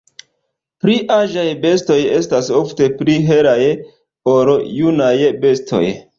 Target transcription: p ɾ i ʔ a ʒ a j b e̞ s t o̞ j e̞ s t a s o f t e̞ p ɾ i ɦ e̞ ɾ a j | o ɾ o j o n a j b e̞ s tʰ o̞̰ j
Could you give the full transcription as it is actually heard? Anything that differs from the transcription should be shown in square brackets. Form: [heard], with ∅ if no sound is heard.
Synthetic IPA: p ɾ i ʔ a ʒ a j b e̞ s t o̞ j e̞ s t a s o f t e̞ p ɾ i ɦ e̞ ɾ a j | o ɾ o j [u] n a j b e̞ s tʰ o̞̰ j